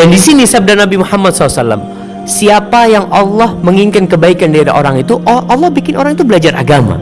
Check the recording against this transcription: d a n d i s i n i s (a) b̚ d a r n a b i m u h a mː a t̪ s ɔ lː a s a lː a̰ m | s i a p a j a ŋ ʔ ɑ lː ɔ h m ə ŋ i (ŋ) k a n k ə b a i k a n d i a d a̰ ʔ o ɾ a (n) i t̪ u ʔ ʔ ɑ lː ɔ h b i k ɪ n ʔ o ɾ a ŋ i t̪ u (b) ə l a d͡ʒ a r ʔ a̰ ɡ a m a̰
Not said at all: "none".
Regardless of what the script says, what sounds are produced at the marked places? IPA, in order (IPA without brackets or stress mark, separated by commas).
a, ŋ, ŋ, b